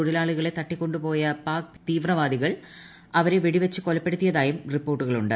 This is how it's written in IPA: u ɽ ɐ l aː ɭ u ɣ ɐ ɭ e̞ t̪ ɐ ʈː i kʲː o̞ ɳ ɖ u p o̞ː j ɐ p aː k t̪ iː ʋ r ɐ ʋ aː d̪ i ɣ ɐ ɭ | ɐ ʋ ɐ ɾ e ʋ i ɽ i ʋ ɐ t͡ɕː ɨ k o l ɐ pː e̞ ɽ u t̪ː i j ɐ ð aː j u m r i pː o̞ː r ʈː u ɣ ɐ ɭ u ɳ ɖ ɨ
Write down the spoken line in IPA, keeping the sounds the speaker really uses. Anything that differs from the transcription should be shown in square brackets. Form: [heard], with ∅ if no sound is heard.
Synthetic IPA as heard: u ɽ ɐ l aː ɭ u ɣ ɐ ɭ e̞ t̪ ɐ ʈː i kʲː o̞ ɳ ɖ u p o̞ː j ɐ p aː k t̪ iː ʋ r ɐ ʋ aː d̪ i ɣ ɐ ɭ | ɐ ʋ ɐ ɾ e ʋ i ɽ i ʋ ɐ t͡ɕː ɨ k o l ɐ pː e̞ ɽ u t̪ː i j ɐ ð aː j u m r i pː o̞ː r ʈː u ɣ ɐ ɭ u ɳ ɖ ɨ